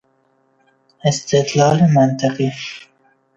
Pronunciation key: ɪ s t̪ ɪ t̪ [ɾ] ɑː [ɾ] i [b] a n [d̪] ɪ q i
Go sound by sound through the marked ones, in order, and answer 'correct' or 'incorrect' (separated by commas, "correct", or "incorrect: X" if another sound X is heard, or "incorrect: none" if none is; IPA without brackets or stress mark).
incorrect: l, incorrect: l, incorrect: m, incorrect: t̪